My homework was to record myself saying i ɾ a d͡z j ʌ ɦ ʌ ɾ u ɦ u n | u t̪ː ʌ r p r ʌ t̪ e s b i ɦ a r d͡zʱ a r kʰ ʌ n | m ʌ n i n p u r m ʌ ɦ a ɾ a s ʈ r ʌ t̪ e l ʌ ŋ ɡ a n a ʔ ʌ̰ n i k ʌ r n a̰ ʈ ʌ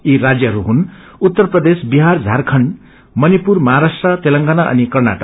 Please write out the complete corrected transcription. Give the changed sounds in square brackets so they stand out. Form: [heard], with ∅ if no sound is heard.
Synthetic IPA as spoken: i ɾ a d͡z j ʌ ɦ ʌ ɾ u ɦ u n | u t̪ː ʌ r p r ʌ [d̪] e s b i ɦ a r d͡zʱ a r kʰ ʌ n | m ʌ n i [∅] p u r m ʌ ɦ a ɾ a s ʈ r ʌ t̪ e l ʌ ŋ ɡ a n a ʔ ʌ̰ n i k ʌ r n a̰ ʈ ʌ